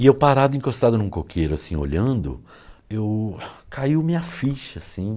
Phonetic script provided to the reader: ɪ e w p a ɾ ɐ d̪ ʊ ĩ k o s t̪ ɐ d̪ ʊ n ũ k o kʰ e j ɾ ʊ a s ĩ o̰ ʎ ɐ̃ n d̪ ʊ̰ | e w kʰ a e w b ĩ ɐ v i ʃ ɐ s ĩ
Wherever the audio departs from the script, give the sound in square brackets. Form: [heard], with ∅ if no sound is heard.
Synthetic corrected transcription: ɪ e w p a ɾ [a] d̪ ʊ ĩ k o s t̪ [a] d̪ ʊ n ũ k o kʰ e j ɾ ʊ a s ĩ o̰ ʎ ɐ̃ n d̪ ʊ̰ | e w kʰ a [i] w [m] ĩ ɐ [f] i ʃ ɐ s ĩ